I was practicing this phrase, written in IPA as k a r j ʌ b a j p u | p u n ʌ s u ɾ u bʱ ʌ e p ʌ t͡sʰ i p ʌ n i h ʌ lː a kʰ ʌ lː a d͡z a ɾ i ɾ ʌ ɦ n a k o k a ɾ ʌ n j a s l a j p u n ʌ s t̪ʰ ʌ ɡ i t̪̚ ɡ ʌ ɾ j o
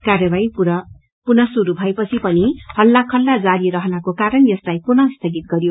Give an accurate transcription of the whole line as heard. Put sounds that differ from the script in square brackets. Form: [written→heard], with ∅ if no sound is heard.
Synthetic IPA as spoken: k a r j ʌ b a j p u | p u n ʌ s u ɾ u bʱ ʌ e p ʌ t͡sʰ i p ʌ n i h ʌ lː a kʰ ʌ lː a d͡z a ɾ i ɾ ʌ ɦ n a k o k a ɾ ʌ n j [a→ʌ] s l a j p u n ʌ s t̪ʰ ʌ ɡ i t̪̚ ɡ ʌ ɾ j o